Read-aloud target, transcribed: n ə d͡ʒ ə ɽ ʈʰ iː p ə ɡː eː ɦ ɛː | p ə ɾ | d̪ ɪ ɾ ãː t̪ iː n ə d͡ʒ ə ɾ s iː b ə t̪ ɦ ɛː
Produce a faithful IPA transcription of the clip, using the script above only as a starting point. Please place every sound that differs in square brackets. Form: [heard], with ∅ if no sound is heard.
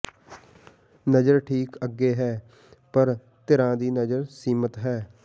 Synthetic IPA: n ə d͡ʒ ə [ɾ] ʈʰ iː [k] ə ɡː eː ɦ ɛː | p ə ɾ | [t̪] ɪ ɾ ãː [d̪] iː n ə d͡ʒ ə ɾ s iː [m] ə t̪ ɦ ɛː